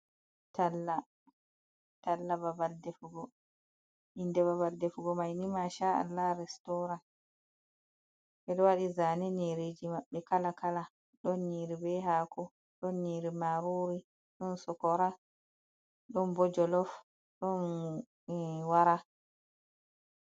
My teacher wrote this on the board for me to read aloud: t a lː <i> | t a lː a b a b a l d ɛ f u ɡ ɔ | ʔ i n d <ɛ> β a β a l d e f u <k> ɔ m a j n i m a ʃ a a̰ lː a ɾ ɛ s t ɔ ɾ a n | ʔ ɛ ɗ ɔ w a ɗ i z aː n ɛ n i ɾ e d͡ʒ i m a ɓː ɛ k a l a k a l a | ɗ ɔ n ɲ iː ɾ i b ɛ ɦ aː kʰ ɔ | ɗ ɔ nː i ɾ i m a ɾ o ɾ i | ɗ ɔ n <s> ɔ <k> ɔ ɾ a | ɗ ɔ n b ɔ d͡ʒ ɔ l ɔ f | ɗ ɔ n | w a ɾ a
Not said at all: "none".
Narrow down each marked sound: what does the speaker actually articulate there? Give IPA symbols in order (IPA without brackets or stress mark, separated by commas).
a, ɛ, ɡ, s, k